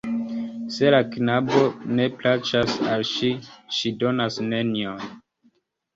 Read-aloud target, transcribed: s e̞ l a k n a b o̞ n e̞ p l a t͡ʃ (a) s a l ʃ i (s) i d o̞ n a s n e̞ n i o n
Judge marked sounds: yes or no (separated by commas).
yes, no